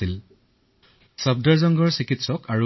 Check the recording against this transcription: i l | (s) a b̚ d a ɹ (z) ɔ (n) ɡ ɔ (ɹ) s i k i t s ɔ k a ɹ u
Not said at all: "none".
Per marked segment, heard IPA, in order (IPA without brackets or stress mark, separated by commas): s, z, ŋ, ɹ